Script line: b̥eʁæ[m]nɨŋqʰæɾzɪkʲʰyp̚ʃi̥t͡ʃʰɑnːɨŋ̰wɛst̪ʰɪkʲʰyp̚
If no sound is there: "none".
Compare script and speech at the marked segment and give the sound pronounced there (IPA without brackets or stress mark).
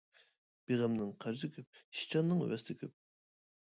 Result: m